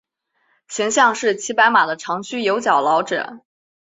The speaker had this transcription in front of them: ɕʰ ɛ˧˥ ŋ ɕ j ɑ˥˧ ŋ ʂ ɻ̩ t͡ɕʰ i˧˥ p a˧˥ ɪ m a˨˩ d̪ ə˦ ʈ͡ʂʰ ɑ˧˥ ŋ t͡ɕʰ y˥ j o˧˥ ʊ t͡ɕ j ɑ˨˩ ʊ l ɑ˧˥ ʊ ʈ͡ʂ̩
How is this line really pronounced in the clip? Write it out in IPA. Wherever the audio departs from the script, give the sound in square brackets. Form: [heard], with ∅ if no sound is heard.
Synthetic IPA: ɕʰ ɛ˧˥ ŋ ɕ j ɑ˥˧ ŋ ʂ ɻ̩ t͡ɕʰ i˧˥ p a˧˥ ɪ m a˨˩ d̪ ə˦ ʈ͡ʂʰ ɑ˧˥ ŋ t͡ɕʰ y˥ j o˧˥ ʊ t͡ɕ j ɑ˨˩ ʊ l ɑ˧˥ ʊ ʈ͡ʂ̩